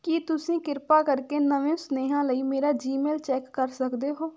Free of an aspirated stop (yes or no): yes